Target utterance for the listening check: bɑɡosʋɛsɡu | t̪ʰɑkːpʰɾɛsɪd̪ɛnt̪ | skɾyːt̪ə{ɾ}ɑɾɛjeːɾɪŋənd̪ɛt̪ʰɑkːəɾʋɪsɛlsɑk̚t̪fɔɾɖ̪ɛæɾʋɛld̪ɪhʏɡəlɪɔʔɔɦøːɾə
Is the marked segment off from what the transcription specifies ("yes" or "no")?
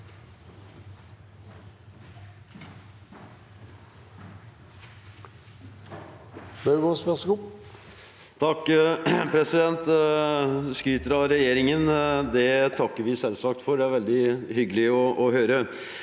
no